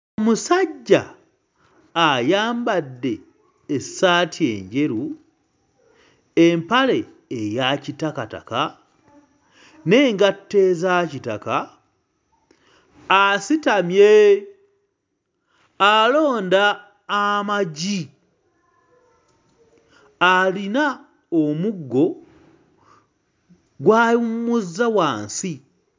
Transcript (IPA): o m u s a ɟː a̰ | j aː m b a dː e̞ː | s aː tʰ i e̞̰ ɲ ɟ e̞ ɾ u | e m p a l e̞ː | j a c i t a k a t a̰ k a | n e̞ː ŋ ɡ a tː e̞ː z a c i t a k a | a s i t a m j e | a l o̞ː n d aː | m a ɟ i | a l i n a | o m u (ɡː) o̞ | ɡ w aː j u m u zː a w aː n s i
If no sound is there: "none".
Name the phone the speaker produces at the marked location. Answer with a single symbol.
ɡː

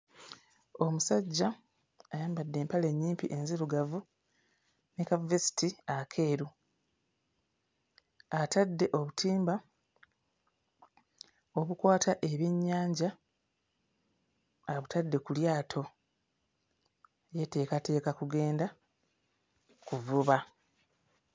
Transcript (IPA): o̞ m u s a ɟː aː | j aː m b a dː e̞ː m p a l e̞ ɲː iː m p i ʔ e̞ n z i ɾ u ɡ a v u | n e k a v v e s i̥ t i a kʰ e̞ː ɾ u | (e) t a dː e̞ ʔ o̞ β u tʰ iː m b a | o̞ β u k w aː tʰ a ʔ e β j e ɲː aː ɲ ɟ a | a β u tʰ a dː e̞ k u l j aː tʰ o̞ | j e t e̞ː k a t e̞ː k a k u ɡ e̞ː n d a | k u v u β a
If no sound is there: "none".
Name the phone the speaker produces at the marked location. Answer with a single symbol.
a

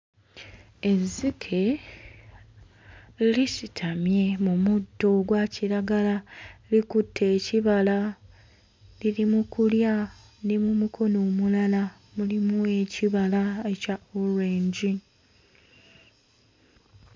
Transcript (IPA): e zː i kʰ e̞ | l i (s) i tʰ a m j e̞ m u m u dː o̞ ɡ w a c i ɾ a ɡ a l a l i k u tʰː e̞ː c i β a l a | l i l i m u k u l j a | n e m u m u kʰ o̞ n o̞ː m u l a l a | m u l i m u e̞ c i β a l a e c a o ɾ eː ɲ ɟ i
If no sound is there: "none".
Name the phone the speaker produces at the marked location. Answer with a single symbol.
s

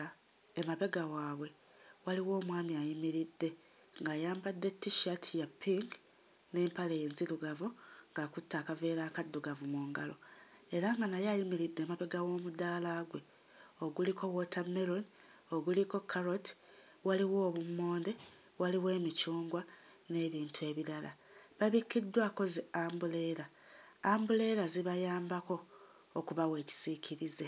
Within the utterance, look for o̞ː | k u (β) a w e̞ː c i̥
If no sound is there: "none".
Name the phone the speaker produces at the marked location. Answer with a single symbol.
β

